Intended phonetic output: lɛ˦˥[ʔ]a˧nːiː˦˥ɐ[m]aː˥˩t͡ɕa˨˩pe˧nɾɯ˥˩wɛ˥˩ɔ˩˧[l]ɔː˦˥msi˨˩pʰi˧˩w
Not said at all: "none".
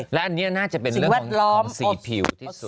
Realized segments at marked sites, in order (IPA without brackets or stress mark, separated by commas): ʔ, n, l